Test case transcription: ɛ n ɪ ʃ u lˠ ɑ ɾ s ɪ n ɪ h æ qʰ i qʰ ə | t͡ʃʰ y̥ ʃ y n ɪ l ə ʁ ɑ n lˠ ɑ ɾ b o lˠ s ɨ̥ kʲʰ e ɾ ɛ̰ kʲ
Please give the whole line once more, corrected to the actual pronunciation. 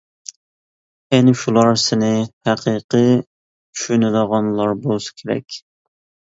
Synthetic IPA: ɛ n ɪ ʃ u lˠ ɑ ɾ s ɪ n ɪ h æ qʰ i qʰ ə | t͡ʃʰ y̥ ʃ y n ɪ l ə ʁ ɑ n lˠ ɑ ɾ b o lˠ s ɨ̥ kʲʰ e ɾ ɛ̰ kʲ